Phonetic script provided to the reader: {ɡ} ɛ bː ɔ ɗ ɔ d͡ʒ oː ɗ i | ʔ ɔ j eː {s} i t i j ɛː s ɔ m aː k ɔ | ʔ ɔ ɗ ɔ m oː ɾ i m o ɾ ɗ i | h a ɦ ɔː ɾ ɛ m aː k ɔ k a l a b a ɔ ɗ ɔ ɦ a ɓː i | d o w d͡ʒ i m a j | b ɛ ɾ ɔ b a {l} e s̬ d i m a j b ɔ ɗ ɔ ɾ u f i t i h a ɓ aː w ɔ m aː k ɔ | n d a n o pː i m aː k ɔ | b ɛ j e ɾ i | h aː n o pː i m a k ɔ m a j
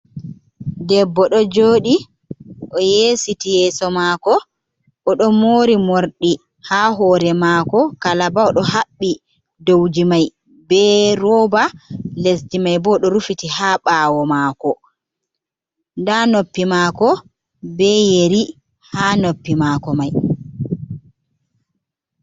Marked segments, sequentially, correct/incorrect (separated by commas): incorrect, correct, correct